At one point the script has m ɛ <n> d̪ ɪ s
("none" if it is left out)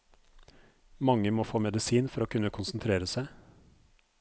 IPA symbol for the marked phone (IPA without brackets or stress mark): none